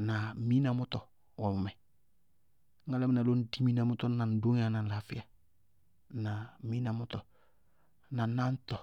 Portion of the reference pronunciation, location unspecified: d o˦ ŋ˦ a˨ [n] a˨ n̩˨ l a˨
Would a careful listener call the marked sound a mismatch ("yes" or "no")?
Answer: no